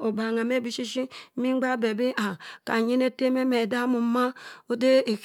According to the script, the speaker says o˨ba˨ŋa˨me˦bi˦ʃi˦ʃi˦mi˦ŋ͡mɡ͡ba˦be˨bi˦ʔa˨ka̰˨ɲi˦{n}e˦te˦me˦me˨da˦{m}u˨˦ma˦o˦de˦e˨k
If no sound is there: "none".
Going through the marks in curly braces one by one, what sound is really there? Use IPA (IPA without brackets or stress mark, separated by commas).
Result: n, m